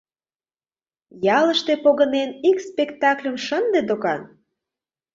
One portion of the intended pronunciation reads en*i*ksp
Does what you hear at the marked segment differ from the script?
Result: no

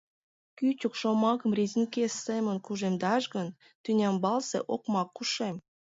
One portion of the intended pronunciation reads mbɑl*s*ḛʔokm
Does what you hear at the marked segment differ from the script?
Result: no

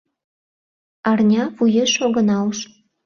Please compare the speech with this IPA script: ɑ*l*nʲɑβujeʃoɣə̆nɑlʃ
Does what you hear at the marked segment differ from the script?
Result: yes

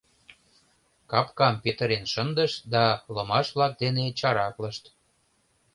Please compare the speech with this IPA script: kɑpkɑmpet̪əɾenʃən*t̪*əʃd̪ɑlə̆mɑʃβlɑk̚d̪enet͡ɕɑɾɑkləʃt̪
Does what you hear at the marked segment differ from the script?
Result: yes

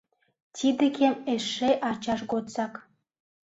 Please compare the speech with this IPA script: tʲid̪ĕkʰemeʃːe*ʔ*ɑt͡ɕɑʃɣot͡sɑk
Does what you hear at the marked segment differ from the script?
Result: no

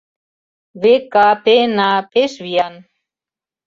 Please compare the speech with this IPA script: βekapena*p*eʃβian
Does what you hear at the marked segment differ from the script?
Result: no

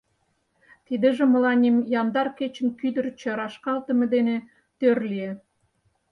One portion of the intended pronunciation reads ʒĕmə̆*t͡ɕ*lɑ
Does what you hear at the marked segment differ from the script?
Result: yes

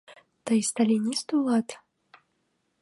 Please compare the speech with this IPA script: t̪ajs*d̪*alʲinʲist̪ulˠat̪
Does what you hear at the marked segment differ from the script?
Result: yes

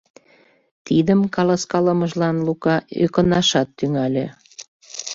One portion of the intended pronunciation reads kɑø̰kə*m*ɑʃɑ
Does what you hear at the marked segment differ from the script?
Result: yes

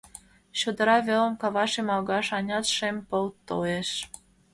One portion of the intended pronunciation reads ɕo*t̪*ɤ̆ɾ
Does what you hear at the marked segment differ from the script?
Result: yes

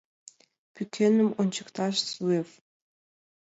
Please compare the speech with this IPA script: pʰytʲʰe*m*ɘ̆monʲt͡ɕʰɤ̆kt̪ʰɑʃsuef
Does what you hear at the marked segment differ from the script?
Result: yes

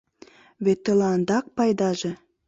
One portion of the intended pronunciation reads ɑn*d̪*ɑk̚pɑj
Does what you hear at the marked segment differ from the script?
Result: no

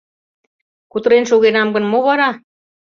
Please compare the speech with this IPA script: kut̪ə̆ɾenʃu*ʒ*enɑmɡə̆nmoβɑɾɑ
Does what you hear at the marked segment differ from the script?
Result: yes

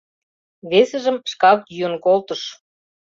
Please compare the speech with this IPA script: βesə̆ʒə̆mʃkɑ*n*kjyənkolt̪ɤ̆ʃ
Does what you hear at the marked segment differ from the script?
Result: yes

